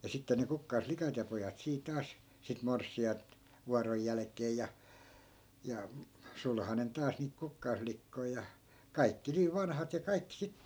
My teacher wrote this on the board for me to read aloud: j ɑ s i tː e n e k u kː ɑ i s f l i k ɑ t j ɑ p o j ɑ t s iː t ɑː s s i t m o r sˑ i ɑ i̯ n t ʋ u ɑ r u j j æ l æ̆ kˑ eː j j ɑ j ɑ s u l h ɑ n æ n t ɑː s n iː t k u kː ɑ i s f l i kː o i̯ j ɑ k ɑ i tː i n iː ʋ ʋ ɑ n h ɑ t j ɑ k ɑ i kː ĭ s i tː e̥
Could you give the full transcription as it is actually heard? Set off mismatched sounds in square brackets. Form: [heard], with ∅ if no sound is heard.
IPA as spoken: j ɑ s i tː e n e k u kː ɑ i s f l i k ɑ t j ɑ p o j ɑ t s iː t ɑː s s i t m o r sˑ i ɑ i̯ n t ʋ u ɑ r [o] j j æ l æ̆ kˑ eː j j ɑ j ɑ s u l h ɑ n [e] n t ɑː s n iː t k u kː ɑ i s f l i kː o i̯ j ɑ k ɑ i [kː] i n iː ʋ ʋ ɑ n h ɑ t j ɑ k ɑ i kː ĭ s i tː e̥